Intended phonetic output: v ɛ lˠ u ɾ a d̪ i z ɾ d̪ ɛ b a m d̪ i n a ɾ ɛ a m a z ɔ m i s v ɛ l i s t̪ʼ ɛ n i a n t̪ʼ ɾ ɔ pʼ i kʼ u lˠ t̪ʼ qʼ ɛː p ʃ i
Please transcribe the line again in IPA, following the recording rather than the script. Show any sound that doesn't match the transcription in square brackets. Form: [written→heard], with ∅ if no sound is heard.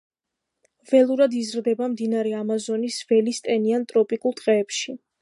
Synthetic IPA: v ɛ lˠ u ɾ a d̪ i z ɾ d̪ ɛ b a m d̪ i n a ɾ ɛ a m a z ɔ [m→n] i s v ɛ l i s t̪ʼ ɛ n i a n t̪ʼ ɾ ɔ pʼ i kʼ u lˠ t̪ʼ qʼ ɛː p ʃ i